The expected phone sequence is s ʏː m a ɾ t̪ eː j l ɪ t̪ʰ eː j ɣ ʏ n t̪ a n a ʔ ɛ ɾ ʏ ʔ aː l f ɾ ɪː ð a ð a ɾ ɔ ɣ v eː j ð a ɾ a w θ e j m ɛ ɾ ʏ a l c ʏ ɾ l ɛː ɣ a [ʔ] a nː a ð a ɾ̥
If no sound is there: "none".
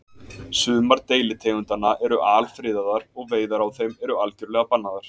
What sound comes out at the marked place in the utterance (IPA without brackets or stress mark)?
p